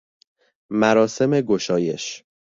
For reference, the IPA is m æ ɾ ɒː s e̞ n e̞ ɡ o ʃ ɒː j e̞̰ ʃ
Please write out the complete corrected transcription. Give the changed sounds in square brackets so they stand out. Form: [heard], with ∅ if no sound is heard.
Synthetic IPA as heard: m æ ɾ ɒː s e̞ [m] e̞ ɡ o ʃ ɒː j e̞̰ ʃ